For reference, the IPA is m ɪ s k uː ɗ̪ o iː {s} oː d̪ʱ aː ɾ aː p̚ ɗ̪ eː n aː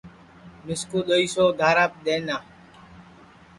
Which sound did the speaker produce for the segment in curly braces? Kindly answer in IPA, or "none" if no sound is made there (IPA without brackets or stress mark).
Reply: s